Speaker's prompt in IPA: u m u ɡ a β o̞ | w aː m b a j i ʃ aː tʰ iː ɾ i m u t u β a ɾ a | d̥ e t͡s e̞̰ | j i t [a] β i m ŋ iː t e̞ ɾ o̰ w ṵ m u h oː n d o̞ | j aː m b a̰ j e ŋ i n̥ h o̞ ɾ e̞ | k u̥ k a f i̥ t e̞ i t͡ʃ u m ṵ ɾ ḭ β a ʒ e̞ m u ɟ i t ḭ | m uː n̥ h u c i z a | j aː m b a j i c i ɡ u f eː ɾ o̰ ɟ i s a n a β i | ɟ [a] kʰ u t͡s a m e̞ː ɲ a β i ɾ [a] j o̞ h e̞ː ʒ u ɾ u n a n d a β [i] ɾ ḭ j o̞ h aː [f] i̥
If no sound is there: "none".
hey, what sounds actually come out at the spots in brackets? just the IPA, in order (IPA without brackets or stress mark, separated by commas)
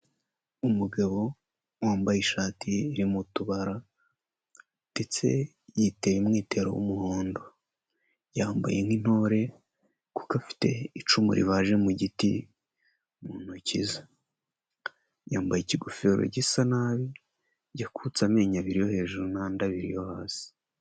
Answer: e, a, i, i, s